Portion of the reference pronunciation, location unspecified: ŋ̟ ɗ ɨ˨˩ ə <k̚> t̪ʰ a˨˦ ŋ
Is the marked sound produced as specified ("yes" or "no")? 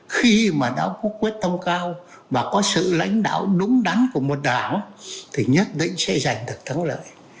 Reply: yes